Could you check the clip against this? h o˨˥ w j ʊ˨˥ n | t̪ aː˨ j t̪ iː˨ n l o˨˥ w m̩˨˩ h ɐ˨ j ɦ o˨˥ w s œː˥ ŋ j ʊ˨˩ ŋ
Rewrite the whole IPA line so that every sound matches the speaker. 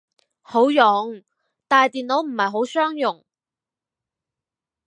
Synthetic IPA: h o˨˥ w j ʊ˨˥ ŋ | t̪ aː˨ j t̪ iː˨ n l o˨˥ w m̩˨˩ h ɐ˨ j ɦ o˨˥ w s œː˥ ŋ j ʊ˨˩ ŋ